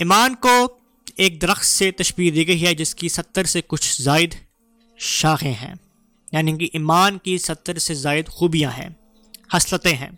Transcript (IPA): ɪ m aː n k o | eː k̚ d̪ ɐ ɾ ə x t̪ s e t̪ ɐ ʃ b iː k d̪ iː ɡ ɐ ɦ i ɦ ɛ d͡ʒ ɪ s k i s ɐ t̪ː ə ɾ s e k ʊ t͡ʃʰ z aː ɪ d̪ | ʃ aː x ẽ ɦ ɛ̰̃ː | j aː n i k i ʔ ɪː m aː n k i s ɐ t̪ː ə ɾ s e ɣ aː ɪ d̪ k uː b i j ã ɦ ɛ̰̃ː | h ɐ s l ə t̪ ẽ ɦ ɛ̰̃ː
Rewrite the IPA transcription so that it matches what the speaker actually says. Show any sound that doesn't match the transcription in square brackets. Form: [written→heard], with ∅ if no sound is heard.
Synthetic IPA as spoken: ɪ m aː n k o | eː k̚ d̪ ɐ ɾ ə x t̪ s e t̪ ɐ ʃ b iː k d̪ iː ɡ ɐ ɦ i ɦ ɛ d͡ʒ ɪ s k i s ɐ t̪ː ə ɾ s e k ʊ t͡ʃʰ z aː ɪ d̪ | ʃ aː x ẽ ɦ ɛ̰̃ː | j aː n i k i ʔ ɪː m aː n k i s ɐ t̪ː ə ɾ s e [ɣ→z] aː ɪ d̪ [k→x] uː b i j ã ɦ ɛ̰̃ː | h ɐ s l ə t̪ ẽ ɦ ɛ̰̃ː